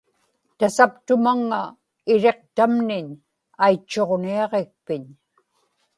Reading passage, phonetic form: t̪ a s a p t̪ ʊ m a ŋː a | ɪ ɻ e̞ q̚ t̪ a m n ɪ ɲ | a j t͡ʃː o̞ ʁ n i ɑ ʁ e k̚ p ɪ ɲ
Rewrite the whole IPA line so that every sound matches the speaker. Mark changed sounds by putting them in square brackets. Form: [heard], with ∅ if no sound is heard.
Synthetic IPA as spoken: t̪ a s a p t̪ ʊ m a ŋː a | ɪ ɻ e̞ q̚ t̪ a m n ɪ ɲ | a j t͡ʃː o̞ ʁ n i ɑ ʁ e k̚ p ɪ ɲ